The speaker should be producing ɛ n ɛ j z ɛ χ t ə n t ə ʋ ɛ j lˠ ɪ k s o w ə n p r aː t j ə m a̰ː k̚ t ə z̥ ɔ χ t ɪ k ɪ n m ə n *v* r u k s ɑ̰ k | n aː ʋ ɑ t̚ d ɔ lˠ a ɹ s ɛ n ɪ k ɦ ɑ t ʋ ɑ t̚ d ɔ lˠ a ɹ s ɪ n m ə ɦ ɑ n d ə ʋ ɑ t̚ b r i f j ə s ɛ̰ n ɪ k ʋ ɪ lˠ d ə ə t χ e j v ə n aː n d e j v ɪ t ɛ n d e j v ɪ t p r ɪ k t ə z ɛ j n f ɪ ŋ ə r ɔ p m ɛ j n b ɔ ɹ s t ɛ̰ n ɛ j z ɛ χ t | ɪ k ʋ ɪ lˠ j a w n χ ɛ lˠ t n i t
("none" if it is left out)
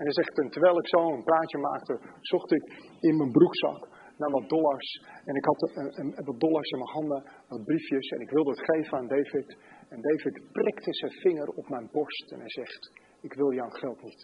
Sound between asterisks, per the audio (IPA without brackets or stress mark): b